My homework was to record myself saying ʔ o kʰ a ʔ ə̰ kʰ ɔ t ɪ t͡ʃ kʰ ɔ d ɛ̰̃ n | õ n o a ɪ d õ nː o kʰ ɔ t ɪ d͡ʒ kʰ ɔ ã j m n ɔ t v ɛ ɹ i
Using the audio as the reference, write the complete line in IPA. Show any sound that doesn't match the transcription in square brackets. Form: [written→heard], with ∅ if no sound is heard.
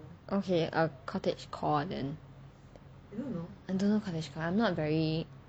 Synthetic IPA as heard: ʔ o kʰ [a→e] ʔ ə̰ kʰ ɔ t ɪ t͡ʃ kʰ ɔ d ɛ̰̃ n | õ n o a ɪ d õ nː o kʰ ɔ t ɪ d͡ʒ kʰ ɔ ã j m n ɔ t v ɛ ɹ i